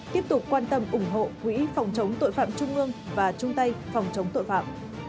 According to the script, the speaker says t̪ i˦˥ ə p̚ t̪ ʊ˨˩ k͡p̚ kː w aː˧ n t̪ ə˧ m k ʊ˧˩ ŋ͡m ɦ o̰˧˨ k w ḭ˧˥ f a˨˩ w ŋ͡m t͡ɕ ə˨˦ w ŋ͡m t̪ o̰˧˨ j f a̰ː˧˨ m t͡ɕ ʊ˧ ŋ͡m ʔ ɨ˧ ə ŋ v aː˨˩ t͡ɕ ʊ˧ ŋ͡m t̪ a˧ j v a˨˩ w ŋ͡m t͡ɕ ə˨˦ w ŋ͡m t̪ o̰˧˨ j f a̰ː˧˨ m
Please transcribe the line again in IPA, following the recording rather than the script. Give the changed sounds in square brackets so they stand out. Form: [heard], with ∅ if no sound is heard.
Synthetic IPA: t̪ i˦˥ ə p̚ t̪ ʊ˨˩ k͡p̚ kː w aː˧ n t̪ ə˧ m [ʔ] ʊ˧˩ ŋ͡m ɦ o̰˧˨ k w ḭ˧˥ f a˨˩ w ŋ͡m t͡ɕ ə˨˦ w ŋ͡m t̪ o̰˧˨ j f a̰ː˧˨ m t͡ɕ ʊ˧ ŋ͡m ʔ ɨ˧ ə ŋ v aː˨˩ t͡ɕ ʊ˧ ŋ͡m t̪ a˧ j [f] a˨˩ w ŋ͡m t͡ɕ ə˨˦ w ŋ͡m t̪ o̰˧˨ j f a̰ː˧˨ m